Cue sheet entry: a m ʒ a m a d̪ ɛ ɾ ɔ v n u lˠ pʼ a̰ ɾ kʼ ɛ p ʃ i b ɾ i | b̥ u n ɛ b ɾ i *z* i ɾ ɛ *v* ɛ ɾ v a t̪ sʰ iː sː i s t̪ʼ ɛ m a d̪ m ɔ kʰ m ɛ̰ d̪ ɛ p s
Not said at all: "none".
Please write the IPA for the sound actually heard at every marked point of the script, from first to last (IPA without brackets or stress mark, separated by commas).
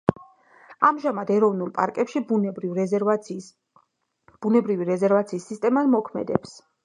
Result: v, z